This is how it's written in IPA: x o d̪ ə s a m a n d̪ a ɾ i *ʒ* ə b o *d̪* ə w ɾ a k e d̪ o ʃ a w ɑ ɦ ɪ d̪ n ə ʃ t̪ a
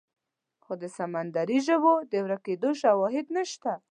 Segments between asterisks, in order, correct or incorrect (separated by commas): correct, correct